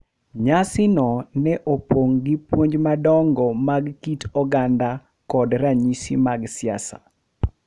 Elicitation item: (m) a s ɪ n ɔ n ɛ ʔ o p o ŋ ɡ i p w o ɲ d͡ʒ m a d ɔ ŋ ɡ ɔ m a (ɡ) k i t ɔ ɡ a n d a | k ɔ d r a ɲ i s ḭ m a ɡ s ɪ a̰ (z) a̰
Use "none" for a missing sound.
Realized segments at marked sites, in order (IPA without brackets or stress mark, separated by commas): ɲ, ɡ, s